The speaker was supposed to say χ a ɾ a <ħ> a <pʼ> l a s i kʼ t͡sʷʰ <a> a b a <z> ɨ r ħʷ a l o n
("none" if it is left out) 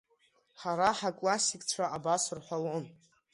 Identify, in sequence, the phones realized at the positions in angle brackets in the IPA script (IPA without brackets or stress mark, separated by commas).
ħ, kʼ, a, s